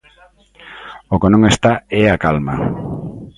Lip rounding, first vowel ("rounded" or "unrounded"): rounded